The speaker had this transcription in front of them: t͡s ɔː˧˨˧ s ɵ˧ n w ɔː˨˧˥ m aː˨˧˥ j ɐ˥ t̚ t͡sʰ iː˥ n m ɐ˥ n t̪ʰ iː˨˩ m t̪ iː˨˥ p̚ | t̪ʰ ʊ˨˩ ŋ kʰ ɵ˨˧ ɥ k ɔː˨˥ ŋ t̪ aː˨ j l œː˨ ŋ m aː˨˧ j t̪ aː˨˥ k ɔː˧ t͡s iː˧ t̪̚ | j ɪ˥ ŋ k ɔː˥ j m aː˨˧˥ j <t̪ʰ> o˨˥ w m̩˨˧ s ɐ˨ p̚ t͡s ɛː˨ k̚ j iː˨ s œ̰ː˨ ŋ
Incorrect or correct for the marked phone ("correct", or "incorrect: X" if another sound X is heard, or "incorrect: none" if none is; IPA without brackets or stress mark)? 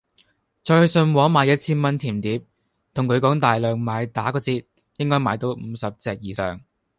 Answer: incorrect: t̪